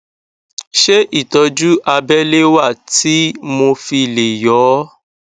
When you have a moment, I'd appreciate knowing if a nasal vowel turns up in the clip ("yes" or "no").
no